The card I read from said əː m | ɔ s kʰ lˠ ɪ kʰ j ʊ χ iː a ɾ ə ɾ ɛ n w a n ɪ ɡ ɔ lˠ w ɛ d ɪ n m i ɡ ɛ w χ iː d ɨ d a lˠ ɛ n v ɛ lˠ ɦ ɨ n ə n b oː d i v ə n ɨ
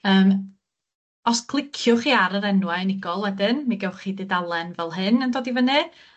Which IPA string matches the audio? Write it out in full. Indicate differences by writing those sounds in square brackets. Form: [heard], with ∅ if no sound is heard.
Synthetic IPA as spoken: əː m | ɔ s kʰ lˠ ɪ kʰ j ʊ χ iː a ɾ ə ɾ ɛ n w a n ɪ ɡ ɔ lˠ w ɛ d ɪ n m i ɡ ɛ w χ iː d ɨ d a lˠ ɛ n v ɛ lˠ ɦ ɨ n ə n [d] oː d i v ə n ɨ